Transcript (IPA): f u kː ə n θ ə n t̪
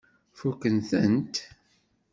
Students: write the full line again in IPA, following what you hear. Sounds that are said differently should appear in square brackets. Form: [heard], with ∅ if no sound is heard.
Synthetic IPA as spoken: f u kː ə n θ ə n t̪